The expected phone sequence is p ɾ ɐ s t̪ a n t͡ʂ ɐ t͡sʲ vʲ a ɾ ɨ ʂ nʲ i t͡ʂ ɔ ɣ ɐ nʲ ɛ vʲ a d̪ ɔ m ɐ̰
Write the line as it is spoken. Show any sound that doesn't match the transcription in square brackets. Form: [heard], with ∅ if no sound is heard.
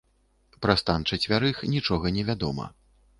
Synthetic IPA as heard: p ɾ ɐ s t̪ a n t͡ʂ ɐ t͡sʲ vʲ a ɾ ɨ [x] nʲ i t͡ʂ ɔ ɣ ɐ nʲ ɛ vʲ a d̪ ɔ m ɐ̰